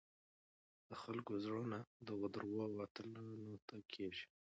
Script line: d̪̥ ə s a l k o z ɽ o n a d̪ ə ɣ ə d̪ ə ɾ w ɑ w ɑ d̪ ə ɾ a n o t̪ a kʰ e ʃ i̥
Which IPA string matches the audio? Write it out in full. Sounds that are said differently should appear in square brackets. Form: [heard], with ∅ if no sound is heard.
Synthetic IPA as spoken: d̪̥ ə [x] a l k o z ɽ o n a d̪ ə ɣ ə d̪ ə ɾ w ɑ w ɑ [t̪] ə [l] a n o t̪ a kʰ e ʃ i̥